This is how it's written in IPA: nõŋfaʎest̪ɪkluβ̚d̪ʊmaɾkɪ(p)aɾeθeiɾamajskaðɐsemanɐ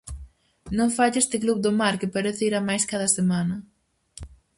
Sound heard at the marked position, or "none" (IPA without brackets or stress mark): p